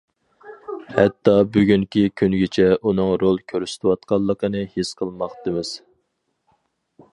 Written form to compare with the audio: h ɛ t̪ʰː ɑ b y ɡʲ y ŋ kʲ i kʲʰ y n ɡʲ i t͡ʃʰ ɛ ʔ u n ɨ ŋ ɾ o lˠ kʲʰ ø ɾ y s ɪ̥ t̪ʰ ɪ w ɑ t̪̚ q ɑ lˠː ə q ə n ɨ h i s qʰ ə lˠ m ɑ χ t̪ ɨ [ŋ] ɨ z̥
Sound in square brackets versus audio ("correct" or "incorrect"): incorrect